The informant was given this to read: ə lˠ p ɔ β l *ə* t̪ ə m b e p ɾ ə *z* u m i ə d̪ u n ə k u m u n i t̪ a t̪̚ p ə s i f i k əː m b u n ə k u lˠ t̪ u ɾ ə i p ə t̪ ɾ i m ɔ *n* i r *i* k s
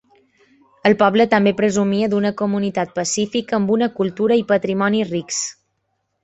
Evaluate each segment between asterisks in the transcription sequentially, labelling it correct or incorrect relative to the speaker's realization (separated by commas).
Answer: correct, correct, correct, correct